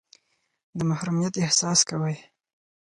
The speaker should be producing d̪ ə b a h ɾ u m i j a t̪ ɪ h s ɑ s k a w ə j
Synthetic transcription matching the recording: d̪ ə m a h ɾ u m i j a t̪ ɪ h s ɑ s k a w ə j